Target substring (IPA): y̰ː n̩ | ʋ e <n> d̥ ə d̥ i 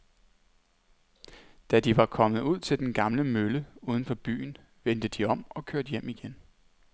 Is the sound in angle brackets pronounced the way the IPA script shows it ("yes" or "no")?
yes